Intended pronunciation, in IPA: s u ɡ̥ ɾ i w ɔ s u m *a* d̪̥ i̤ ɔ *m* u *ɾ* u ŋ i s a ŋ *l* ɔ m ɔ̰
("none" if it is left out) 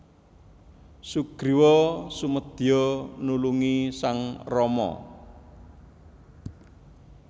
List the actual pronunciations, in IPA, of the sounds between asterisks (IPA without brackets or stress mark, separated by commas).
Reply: ə, n, l, r